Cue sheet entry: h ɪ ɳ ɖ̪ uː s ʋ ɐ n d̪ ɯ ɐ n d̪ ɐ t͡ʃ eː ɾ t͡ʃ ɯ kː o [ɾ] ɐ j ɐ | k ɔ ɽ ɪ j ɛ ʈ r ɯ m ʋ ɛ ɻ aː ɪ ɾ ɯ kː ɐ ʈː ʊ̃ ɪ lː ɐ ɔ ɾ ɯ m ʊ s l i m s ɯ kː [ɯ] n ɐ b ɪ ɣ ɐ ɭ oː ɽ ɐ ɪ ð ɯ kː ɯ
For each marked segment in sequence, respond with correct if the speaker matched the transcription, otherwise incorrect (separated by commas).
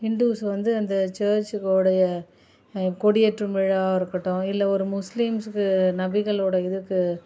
incorrect, correct